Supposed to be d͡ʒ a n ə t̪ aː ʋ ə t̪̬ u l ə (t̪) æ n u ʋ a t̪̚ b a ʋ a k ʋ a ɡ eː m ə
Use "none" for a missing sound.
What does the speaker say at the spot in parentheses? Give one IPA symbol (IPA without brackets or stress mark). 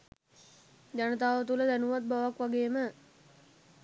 d̪